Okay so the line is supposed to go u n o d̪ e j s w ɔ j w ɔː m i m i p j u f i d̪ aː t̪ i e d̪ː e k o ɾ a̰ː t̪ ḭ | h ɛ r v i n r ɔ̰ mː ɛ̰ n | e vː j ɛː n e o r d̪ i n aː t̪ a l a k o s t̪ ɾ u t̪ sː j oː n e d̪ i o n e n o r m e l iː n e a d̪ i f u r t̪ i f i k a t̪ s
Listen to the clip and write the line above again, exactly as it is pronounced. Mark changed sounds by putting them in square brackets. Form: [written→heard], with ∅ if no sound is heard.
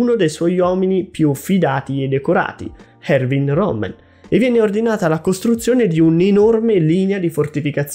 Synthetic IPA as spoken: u n o d̪ e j s w ɔ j w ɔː m i [m→n] i p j u f i d̪ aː t̪ i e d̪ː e k o ɾ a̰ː t̪ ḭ | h ɛ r v i n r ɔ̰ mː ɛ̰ n | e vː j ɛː n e o r d̪ i n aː t̪ a l a k o s t̪ ɾ u t̪ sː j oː n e d̪ i [o→u] n e n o r m e l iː n e a d̪ i f [u→o] r t̪ i f i k a t̪ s